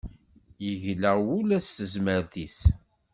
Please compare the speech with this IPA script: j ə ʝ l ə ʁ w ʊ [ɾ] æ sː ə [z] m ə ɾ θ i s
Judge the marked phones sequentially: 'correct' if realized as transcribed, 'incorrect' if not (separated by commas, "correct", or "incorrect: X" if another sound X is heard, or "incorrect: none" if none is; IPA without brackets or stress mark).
incorrect: l, correct